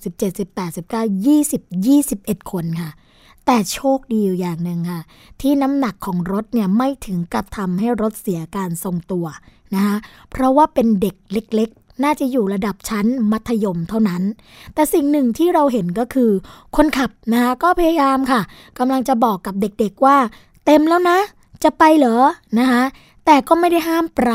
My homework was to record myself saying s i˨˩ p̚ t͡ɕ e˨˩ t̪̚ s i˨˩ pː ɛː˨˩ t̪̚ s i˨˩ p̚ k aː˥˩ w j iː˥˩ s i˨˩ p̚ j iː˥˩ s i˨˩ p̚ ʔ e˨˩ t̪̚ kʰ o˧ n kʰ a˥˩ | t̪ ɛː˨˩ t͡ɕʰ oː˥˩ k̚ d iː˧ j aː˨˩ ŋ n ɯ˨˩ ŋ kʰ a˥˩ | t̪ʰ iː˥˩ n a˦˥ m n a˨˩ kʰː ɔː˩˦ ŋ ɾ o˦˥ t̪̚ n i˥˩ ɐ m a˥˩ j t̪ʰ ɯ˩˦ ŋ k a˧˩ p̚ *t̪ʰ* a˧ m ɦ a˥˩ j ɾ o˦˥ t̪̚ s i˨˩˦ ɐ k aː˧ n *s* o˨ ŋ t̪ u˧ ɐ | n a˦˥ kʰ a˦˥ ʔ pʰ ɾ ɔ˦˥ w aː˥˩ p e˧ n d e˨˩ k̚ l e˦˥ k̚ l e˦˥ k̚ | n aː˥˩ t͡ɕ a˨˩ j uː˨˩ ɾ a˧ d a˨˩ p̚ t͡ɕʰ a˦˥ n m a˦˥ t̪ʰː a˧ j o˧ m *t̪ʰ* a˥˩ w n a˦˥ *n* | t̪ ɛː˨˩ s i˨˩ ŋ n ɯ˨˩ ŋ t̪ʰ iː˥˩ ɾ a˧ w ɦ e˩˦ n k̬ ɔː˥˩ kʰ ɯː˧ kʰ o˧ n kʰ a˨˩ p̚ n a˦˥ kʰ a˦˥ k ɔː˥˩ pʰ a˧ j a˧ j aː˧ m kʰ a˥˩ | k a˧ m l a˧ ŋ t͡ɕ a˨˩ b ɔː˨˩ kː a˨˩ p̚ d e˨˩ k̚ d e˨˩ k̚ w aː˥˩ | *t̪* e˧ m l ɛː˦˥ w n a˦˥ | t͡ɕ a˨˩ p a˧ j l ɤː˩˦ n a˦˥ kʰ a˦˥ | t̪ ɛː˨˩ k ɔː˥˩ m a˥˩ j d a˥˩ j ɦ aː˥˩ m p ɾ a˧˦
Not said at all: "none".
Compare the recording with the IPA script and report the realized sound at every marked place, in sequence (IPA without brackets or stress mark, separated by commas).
t̪ʰ, s, t̪ʰ, n, t̪